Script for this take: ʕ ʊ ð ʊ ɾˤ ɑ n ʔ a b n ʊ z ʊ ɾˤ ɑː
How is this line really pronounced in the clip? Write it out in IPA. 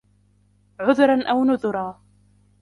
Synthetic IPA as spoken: ʕ ʊ ð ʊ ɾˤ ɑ n ʔ a w n ʊ ð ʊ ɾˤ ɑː